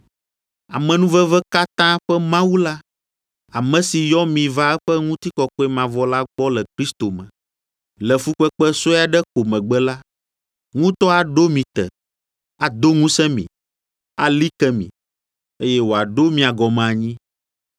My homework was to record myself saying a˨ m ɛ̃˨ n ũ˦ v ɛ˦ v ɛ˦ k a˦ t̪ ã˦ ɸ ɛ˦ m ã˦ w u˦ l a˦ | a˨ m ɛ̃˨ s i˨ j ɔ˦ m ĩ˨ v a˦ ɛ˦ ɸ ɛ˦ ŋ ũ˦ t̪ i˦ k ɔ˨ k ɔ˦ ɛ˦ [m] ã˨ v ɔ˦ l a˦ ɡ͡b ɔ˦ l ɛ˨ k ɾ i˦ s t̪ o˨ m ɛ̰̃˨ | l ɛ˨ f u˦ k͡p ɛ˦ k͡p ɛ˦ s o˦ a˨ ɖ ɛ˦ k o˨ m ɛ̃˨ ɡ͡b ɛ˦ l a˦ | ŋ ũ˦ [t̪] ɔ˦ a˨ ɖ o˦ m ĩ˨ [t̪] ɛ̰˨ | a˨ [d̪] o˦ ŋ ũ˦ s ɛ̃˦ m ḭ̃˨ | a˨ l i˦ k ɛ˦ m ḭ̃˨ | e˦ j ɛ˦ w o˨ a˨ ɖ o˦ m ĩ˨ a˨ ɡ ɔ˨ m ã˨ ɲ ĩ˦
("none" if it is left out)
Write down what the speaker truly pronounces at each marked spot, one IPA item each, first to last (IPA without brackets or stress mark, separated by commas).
m, t̪, t̪, d̪